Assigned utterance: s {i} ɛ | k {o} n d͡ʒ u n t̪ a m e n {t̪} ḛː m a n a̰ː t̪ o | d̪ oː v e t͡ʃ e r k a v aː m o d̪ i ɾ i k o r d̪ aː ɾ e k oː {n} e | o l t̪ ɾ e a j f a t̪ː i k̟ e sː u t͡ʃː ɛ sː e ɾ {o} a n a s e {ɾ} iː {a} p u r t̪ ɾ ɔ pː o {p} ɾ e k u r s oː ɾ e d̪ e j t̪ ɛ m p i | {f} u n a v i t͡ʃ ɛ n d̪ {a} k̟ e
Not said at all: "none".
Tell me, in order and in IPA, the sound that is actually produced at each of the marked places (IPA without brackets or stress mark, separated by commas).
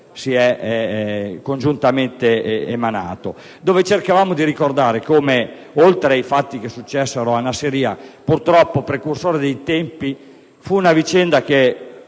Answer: i, o, t̪, m, o, ɾ, a, p, f, a